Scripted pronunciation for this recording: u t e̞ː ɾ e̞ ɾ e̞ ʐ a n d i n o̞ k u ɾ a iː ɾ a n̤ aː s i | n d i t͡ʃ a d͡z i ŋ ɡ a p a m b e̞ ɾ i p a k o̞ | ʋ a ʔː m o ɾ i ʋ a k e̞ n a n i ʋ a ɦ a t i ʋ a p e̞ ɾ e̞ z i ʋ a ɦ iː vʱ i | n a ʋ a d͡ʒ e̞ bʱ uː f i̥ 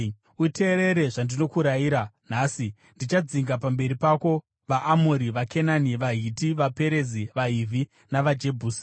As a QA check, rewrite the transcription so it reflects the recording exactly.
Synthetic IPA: u t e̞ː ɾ e̞ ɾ e̞ ʐ a n d i n o̞ k u ɾ a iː ɾ a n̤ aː s i | n d i t͡ʃ a d͡z i ŋ ɡ a p a m b e̞ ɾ i p a k o̞ | ʋ a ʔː m o ɾ i ʋ a k e̞ n a n i ʋ a ɦ i t i ʋ a p e̞ ɾ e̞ z i ʋ a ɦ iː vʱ i | n a ʋ a d͡ʒ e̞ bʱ uː s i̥